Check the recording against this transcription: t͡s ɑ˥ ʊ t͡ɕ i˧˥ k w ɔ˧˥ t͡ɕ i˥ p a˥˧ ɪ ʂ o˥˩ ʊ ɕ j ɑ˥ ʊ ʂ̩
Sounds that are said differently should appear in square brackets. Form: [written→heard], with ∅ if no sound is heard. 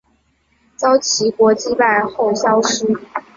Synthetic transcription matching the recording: t͡s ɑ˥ ʊ [t͡ɕ→t͡ɕʰ] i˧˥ k w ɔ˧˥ t͡ɕ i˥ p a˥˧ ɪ [ʂ→x] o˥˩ ʊ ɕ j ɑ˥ ʊ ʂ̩